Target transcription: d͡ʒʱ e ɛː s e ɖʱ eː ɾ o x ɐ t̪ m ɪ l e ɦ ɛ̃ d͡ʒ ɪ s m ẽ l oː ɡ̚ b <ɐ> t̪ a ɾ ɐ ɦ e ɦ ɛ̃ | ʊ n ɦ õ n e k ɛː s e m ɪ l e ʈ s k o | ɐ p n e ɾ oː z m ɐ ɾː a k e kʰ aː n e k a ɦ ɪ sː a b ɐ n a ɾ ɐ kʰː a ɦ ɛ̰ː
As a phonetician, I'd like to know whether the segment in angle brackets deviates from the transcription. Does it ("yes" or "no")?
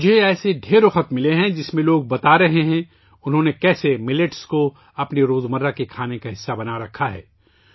no